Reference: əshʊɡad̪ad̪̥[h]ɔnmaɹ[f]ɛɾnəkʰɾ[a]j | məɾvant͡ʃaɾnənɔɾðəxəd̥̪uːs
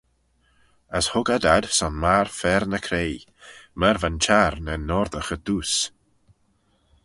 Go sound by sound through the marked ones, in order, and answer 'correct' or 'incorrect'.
incorrect, correct, incorrect

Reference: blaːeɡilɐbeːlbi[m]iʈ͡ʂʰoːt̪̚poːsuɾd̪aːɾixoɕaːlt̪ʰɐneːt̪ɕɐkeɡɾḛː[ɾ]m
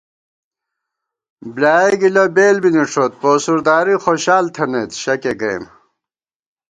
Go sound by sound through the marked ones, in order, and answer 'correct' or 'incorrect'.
incorrect, incorrect

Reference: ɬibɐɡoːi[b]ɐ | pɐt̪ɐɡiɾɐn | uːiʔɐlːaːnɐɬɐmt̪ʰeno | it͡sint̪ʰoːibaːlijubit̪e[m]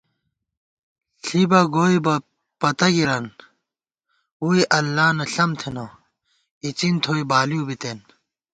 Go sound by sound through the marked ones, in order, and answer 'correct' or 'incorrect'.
correct, incorrect

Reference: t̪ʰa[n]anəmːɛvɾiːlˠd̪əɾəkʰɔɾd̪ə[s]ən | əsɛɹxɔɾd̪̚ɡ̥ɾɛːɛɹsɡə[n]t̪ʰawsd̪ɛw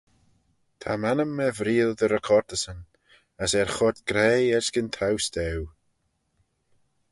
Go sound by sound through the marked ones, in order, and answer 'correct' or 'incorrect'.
incorrect, correct, correct

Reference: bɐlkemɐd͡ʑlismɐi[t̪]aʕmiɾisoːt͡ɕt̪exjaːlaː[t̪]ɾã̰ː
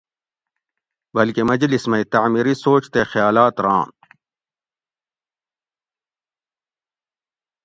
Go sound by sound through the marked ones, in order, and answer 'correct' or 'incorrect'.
correct, correct

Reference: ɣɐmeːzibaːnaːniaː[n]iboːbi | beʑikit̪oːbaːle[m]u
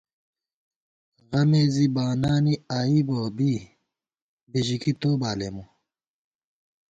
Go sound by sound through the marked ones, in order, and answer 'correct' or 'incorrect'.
incorrect, correct

